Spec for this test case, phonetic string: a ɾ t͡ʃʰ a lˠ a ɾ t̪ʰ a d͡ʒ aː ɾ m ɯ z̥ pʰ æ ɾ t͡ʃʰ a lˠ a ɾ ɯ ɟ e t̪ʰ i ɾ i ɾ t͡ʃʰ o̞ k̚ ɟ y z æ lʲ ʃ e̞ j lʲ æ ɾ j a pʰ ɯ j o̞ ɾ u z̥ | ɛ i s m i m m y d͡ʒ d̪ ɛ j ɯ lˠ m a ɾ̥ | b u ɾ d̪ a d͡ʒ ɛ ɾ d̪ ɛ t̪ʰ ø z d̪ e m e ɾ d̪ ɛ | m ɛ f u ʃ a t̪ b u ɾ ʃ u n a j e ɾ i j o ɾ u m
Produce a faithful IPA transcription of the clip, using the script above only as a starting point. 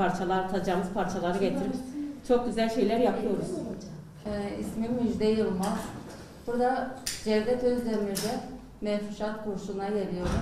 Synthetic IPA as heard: a ɾ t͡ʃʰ a lˠ a ɾ t̪ʰ a d͡ʒ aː m ɯ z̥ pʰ a ɾ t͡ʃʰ a lˠ a ɾ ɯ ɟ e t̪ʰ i ɾ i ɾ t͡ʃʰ o̞ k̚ ɟ y z æ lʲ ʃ e̞ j lʲ æ ɾ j a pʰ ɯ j o̞ ɾ u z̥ | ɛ i s m i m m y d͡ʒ d̪ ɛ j ɯ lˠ m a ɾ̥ | b u ɾ d̪ a d͡ʒ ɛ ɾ d̪ ɛ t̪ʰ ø z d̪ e m i ɾ d̪ ɛ | m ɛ f u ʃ a t̪ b u ɾ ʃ u n a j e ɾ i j o ɾ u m